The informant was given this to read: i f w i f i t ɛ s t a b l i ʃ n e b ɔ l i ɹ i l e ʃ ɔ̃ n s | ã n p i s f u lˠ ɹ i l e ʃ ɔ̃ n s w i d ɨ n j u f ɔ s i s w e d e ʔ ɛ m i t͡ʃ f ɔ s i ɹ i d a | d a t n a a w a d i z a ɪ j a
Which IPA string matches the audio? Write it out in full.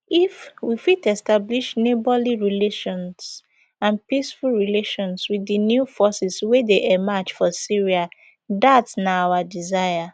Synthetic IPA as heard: i f w i f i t ɛ s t a b l i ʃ n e b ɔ l i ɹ i l e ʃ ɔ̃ n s | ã n p i s f u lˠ ɹ i l e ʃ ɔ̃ n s w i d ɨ n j u f ɔ s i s w e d e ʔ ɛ m a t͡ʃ f ɔ s i ɹ i a | d a t n a a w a d i z a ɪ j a

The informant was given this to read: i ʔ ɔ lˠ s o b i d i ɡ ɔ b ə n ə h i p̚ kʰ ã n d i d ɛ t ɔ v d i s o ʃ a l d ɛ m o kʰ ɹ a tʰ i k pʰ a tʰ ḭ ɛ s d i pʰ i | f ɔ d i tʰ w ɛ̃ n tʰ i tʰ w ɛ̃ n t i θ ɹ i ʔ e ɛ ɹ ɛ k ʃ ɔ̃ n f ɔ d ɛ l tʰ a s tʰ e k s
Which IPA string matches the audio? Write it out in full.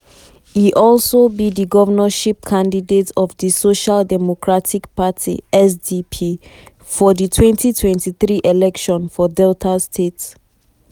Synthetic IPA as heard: i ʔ ɔ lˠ s o b i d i ɡ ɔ v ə n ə ʃ i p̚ kʰ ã n d i d e t ɔ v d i s o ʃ a l d ɛ m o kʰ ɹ a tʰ i k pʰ a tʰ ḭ ɛ s d i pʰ i | f ɔ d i tʰ w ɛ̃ n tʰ i tʰ w ɛ̃ n t i θ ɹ i ʔ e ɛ l ɛ k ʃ ɔ̃ n f ɔ d ɛ l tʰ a s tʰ e t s

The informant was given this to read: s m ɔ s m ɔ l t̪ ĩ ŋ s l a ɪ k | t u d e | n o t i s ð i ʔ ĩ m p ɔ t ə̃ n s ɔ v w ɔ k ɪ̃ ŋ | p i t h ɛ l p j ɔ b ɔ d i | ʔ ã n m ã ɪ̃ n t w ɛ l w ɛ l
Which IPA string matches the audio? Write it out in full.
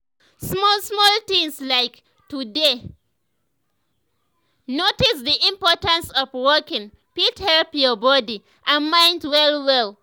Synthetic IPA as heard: s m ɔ s m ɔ l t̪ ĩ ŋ s l a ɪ k | t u d e | n o t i s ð i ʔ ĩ m p ɔ t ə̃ n s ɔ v w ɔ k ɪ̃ ŋ | p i t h ɛ l p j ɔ b ɔ d i | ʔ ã n m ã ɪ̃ n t w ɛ l w ɛ l

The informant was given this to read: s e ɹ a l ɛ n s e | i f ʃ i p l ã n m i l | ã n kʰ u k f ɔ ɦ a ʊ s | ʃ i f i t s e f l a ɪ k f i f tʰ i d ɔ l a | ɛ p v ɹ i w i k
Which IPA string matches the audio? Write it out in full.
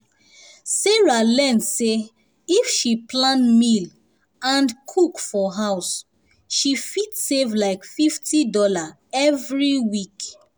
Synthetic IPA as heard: s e ɹ a l ɛ n s e | i f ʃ i p l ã n m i l | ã n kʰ u k f ɔ ɦ a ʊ s | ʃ i f i t s e v l a ɪ k f i f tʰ i d ɔ l a | ɛ v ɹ i w i k

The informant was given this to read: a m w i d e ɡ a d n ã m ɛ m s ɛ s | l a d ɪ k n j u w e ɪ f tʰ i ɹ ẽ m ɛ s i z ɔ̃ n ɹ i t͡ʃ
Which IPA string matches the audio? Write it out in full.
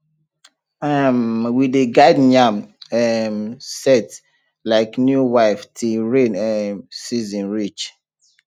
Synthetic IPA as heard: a m w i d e ɡ a d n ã m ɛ m s ɛ t | l a ɪ k n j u w a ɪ f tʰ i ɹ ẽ n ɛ s i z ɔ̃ n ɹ i t͡ʃ

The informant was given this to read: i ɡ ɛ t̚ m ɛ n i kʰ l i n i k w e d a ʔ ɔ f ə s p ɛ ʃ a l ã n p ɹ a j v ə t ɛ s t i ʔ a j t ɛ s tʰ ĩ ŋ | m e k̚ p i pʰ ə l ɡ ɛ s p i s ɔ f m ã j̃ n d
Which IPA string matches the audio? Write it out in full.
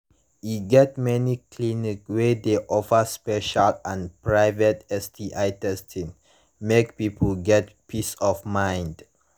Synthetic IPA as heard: i ɡ ɛ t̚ m ɛ n i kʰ l i n i k w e d e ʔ ɔ f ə s p ɛ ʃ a l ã n p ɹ a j v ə t ɛ s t i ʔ a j t ɛ s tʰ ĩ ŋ | m e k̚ p i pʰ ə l ɡ ɛ t p i s ɔ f m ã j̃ n d

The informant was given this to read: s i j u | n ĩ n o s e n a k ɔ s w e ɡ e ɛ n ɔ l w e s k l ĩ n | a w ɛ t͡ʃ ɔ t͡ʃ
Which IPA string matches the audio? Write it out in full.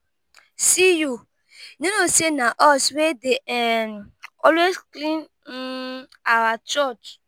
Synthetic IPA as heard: s i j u | n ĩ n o s e n a ʔ ɔ s w e d e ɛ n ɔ l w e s k l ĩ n | a w a t͡ʃ ɔ t͡ʃ

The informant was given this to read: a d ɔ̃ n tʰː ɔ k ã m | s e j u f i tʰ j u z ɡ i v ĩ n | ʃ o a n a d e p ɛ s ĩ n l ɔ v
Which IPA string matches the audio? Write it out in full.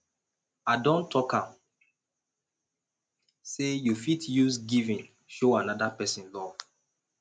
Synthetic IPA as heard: a d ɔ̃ n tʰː ɔ k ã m | s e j u f i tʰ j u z ɡ i v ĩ n | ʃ o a n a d a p ɛ s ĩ n l ɔ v

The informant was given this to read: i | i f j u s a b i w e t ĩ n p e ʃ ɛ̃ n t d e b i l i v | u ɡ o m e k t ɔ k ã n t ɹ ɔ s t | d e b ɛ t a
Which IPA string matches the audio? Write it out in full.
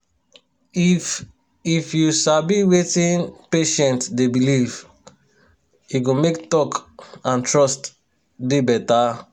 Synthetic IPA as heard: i | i f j u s a b i w e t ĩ n p e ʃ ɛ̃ n t d e b i l i v | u ɡ o m e k t ɔ k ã n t ɹ ɔ s t | d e b ɛ t a

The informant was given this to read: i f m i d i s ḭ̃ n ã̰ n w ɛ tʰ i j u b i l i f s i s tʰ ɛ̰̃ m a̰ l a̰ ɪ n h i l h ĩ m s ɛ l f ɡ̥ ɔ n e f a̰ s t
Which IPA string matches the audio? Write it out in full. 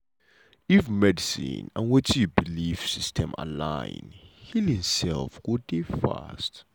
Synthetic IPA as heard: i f m ɛ d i s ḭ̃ n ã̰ n w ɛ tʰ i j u b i l i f s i s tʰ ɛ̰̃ m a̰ l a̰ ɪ n h i l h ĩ m s ɛ l f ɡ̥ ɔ d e f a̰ s t

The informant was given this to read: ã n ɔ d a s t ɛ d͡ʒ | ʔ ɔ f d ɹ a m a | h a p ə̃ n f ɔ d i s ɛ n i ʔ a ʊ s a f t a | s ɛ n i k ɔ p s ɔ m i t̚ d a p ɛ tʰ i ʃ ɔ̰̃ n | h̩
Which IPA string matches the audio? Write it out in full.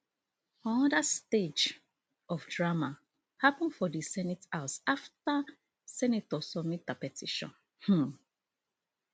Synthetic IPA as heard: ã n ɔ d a s t e d͡ʒ | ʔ ɔ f d ɹ a m a | h a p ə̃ n f ɔ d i s ɛ n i t a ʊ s a f t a | s ɛ n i t ɔ s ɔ m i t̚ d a p ɛ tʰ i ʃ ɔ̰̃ n | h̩

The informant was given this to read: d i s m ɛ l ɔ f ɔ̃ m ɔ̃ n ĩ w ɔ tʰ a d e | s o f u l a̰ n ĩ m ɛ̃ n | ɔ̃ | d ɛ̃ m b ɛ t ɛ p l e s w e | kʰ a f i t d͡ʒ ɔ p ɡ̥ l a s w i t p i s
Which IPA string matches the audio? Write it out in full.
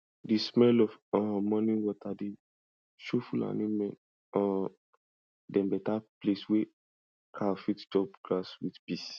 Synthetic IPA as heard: d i s m ɛ l ɔ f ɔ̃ m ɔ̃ n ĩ w ɔ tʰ a d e | ʃ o f u l a̰ n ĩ m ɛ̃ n | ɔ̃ | d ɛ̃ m b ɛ t a p l e s w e | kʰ a f i t d͡ʒ ɔ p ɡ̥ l a s w i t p i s

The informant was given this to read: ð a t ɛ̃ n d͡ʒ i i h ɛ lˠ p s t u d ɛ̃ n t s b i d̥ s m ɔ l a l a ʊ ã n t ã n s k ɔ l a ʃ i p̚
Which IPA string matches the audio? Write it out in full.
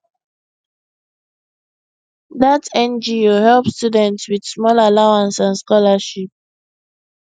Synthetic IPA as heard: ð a t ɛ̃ n d͡ʒ i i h ɛ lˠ p s t u d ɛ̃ n t s w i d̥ s m ɔ l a l a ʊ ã n s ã n s k ɔ l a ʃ i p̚

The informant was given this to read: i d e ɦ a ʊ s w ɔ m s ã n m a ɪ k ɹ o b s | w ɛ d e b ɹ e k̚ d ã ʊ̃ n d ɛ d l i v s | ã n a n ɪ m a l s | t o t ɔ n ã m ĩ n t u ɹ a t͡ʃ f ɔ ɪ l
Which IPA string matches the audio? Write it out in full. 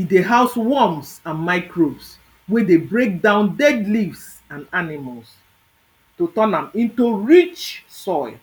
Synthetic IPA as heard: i d e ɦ a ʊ s w ɔ m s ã n m a ɪ k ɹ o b s | w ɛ d e b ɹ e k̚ d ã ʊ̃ n d ɛ d l i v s | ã n a n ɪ m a l s | t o t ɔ n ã m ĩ n t u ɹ i t͡ʃ s ɔ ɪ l

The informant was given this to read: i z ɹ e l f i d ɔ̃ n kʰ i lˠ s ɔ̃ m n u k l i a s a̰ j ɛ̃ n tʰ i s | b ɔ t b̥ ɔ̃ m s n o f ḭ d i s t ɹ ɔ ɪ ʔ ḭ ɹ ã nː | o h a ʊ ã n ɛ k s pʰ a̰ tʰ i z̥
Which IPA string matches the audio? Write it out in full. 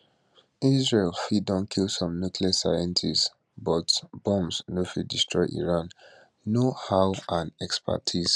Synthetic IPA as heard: i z ɹ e l f i d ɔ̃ n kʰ i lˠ s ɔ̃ m n u k l i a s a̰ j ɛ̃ n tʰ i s | b ɔ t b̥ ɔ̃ m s n o f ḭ d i s t ɹ ɔ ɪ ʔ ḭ ɹ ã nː | o h a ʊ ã n ɛ k s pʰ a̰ tʰ i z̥

